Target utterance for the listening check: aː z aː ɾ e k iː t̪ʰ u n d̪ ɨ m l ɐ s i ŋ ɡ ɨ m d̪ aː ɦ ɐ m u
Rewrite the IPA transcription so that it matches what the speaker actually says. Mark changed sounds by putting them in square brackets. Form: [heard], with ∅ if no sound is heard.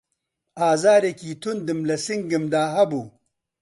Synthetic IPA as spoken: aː z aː ɾ e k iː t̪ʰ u n d̪ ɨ m l ɐ s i ŋ ɡ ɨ m d̪ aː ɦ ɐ [b] u